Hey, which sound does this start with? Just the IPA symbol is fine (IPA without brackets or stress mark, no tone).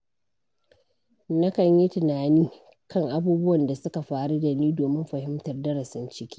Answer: n